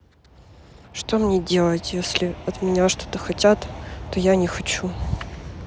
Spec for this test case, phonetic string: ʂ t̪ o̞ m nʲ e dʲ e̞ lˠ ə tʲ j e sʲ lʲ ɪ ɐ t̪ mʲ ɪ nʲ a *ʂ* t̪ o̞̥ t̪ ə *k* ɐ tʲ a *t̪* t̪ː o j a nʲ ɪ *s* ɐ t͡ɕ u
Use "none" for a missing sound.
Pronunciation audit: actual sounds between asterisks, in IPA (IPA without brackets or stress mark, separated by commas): ʂ, x, t̪, x